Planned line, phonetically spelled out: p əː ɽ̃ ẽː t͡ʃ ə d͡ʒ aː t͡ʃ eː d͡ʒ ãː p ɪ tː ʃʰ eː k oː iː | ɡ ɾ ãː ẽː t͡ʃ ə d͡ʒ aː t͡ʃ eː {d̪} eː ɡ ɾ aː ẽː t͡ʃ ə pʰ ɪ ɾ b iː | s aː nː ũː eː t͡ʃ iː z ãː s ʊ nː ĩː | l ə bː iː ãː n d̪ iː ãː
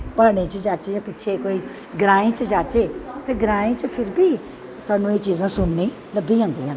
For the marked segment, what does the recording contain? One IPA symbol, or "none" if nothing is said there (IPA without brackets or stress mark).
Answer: t̪